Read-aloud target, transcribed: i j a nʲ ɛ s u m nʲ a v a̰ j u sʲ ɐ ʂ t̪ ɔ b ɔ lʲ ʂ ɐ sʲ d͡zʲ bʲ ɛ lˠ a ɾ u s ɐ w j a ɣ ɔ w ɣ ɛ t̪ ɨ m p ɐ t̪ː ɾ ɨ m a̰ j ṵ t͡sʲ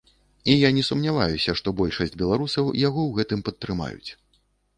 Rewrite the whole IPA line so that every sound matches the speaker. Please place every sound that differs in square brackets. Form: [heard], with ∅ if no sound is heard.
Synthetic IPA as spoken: i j a nʲ ɛ s u m nʲ a v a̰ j u sʲ ɐ ʂ t̪ ɔ b ɔ lʲ ʂ ɐ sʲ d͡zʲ bʲ ɛ lˠ a ɾ u s ɐ w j a ɣ ɔ w ɣ ɛ t̪ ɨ m p ɐ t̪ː ɾ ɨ m a̰ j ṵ t͡sʲ